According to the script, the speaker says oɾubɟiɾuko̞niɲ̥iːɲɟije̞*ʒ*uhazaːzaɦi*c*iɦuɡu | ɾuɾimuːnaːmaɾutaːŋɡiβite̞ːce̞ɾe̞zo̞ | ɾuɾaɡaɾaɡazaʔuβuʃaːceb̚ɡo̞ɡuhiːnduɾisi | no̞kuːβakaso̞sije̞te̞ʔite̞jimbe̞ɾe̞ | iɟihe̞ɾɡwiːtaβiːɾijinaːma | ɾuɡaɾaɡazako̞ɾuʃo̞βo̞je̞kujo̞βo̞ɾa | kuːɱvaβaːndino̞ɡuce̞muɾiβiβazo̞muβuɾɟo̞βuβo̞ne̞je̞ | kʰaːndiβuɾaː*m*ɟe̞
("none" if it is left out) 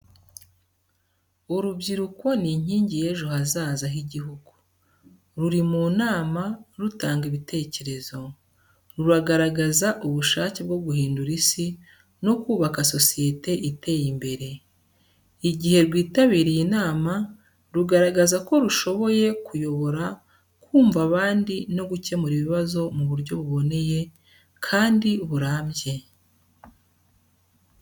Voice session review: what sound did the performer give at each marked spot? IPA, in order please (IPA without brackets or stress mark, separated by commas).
ʒ, ɟ, m